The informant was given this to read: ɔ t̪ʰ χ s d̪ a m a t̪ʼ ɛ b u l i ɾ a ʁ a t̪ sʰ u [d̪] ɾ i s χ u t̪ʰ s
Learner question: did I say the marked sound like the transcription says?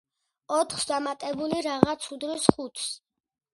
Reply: yes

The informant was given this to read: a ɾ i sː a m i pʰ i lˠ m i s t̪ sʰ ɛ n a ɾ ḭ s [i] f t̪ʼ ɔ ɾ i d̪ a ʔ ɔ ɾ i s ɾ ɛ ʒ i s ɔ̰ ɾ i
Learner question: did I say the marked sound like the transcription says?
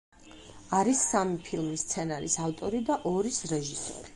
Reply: no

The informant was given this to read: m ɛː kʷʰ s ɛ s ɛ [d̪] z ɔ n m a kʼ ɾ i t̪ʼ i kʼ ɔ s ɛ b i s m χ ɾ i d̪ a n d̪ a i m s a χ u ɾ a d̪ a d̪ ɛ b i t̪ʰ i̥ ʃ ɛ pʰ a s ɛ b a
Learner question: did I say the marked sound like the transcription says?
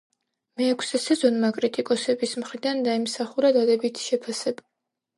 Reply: no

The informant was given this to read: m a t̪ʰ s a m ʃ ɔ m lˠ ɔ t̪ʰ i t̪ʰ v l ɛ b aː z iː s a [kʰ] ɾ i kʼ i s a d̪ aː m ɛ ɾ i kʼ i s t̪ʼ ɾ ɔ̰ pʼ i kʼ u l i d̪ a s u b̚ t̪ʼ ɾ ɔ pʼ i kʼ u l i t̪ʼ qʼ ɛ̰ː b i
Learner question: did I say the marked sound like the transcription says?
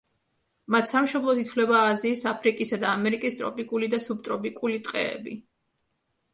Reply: no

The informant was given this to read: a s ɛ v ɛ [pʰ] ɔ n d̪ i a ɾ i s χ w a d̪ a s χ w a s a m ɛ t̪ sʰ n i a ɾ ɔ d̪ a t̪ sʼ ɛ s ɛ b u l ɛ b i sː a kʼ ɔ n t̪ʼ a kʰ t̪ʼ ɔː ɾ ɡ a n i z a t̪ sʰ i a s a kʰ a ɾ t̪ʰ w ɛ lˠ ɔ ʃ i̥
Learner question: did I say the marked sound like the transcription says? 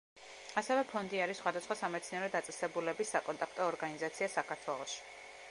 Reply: yes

